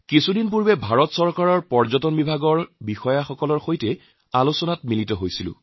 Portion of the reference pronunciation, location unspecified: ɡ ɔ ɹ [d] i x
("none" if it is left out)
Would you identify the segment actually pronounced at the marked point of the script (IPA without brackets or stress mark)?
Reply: b